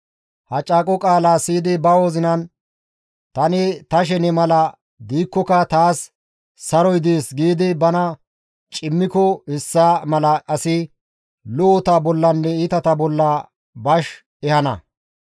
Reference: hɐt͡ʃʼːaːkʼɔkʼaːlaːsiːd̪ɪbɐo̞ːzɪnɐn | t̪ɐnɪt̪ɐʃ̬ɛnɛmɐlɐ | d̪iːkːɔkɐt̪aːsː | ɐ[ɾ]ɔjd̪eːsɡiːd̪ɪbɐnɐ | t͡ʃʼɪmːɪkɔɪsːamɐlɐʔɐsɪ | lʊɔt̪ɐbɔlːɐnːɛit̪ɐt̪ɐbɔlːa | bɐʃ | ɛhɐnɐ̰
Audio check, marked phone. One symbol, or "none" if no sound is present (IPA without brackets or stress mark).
ɾ